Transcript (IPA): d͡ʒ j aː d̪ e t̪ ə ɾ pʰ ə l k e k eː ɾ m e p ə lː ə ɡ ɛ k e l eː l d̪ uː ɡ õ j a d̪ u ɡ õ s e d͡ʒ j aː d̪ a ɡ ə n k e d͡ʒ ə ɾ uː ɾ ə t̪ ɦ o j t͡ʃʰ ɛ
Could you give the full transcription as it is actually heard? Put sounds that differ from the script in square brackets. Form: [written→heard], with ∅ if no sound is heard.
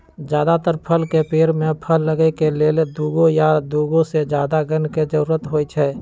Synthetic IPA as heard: d͡ʒ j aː d̪ [e→a] t̪ ə ɾ pʰ ə l k e [k→p] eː ɾ m e [p→pʰ] ə lː ə ɡ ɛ k e l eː l d̪ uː ɡ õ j a d̪ u ɡ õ s e d͡ʒ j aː d̪ a ɡ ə n k e d͡ʒ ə ɾ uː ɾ ə t̪ ɦ o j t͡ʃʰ ɛ